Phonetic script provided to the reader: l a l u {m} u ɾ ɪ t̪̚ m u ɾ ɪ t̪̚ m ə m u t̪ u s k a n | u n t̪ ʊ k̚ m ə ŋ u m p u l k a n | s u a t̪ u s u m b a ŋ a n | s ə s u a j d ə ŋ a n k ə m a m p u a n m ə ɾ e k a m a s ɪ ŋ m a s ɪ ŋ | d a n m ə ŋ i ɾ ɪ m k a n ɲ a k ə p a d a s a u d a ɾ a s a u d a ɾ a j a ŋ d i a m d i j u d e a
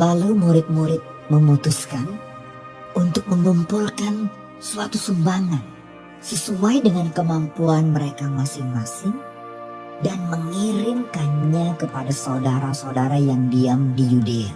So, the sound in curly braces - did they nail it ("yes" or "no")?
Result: yes